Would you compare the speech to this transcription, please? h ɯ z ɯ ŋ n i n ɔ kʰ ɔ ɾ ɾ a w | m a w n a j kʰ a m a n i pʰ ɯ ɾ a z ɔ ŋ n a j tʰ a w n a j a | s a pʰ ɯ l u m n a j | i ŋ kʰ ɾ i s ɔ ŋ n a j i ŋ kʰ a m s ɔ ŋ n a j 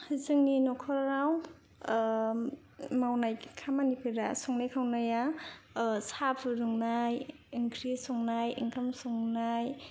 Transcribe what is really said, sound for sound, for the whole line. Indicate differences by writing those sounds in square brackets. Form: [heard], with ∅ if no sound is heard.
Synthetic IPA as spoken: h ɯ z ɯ ŋ n i n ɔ kʰ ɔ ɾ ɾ a w | m a w n a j kʰ a m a n i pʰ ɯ ɾ a [s] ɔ ŋ n a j [kʰ] a w n a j a | s a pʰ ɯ [ɾ] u [ŋ] n a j | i ŋ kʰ ɾ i s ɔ ŋ n a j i ŋ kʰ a m s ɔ ŋ n a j